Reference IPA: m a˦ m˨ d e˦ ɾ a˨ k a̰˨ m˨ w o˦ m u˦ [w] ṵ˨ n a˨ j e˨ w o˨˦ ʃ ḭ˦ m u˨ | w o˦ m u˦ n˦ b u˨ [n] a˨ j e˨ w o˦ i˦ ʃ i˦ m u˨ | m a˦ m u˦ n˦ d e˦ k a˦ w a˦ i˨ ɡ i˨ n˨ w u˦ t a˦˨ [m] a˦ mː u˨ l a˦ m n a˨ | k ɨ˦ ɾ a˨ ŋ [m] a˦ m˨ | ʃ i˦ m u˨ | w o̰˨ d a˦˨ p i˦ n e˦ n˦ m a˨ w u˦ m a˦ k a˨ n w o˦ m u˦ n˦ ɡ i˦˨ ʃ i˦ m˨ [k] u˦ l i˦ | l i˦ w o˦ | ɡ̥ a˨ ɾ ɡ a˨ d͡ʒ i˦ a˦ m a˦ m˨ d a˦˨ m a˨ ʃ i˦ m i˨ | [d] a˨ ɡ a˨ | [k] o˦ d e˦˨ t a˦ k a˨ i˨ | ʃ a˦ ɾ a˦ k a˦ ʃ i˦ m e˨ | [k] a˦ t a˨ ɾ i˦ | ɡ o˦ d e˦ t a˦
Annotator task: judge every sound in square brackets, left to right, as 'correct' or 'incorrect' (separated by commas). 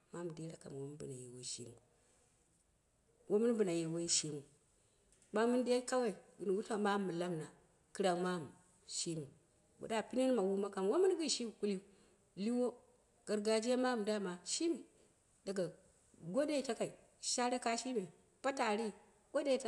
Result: incorrect, correct, correct, correct, correct, correct, incorrect, incorrect